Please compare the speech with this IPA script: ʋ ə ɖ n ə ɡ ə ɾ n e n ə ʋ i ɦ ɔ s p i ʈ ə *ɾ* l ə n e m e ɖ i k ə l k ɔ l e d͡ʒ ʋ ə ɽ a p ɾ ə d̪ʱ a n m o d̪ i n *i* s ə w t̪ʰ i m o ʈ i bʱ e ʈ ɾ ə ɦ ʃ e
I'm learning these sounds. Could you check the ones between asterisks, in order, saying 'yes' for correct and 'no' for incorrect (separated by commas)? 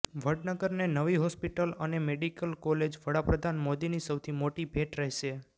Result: no, yes